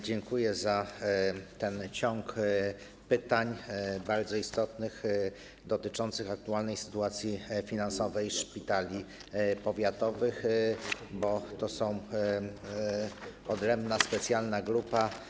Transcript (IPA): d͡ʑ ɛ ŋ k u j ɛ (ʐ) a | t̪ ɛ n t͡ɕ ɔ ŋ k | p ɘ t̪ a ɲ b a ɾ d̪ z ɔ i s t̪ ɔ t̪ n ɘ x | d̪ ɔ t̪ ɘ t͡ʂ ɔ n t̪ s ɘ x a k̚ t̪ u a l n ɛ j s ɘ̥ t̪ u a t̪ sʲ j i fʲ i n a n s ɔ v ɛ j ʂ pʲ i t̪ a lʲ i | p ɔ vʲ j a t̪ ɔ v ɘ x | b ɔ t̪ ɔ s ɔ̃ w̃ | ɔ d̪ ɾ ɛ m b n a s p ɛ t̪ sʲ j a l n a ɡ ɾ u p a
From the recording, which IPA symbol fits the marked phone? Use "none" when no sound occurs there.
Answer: z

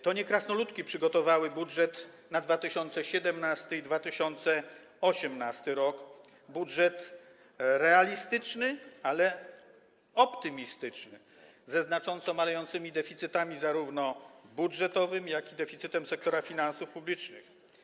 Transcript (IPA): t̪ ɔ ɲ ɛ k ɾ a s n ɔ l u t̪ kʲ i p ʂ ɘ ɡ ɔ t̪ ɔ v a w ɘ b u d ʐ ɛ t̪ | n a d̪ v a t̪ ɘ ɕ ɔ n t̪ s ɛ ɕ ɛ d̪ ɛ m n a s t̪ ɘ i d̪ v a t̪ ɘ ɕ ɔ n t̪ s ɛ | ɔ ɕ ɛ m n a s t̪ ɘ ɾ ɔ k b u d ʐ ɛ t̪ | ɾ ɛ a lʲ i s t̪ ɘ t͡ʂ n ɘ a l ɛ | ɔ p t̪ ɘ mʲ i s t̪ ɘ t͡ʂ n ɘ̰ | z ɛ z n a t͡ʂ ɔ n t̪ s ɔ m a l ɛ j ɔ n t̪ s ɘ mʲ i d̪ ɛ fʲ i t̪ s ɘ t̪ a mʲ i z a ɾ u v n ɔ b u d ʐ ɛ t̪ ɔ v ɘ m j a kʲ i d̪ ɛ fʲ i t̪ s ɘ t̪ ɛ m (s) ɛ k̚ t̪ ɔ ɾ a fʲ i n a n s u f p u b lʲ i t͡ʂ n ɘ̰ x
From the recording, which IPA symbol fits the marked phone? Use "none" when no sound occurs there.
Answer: s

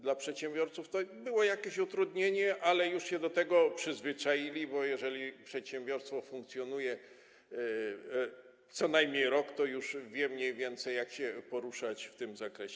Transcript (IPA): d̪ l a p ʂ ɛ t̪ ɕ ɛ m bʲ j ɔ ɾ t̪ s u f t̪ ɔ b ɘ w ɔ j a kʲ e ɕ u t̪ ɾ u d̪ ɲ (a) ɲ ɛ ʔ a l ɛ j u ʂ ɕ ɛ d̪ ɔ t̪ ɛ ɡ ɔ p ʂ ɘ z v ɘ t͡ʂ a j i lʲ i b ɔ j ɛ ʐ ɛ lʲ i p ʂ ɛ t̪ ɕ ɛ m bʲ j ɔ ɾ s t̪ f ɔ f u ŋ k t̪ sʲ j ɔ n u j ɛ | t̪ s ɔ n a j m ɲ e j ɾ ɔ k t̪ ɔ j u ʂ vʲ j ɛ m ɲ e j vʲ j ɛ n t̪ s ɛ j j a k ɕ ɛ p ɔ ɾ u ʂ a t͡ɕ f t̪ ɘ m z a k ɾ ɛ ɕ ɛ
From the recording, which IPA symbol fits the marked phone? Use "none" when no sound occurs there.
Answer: e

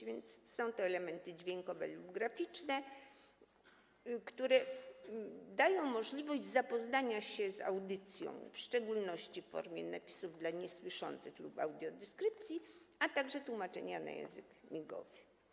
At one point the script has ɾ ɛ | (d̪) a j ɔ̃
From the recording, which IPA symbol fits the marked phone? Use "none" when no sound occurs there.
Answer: d̪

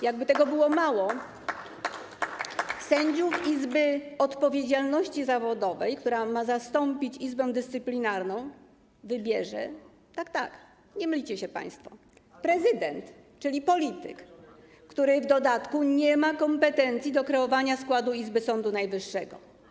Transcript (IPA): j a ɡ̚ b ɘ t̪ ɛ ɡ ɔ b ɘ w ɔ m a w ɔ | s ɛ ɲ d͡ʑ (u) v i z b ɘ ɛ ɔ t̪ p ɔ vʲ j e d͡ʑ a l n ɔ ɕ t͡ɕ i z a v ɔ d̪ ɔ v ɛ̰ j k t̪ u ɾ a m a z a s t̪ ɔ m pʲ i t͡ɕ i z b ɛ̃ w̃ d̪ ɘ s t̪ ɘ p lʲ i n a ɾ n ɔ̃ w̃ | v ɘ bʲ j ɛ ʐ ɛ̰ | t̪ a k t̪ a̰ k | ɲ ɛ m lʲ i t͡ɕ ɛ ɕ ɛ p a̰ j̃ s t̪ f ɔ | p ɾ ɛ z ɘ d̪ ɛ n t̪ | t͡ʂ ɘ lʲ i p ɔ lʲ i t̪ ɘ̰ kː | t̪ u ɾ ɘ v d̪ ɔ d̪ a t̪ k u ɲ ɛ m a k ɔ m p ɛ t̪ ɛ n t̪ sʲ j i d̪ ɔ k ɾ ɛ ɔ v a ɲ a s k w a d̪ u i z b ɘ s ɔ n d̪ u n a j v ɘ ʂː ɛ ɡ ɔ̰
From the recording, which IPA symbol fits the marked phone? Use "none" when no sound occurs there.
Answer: u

